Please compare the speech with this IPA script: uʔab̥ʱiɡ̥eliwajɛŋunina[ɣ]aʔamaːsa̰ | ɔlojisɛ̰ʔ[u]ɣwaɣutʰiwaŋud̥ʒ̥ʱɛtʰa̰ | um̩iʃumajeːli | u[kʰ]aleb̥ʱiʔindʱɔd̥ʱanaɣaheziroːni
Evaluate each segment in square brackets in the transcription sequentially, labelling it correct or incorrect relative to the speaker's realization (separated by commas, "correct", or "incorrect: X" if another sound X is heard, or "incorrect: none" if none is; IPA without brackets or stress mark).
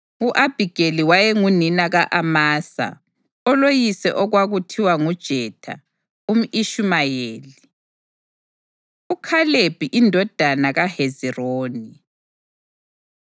correct, incorrect: ɔ, correct